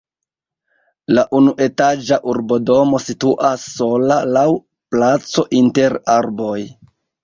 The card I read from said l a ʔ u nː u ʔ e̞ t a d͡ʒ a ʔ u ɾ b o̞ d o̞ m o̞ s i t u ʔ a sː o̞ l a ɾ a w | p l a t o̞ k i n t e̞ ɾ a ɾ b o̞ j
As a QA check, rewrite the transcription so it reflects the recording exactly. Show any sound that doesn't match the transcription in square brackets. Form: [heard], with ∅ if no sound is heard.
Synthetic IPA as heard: l a ʔ u [n] u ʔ e̞ t a d͡ʒ a ʔ u ɾ b o̞ d o̞ m o̞ s i t u ʔ a sː o̞ l a [l] a w | p l a [t͡s] o̞ [ʔ] i n t e̞ ɾ a ɾ b o̞ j